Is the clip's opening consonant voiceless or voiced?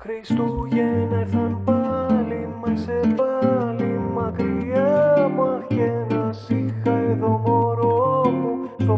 voiceless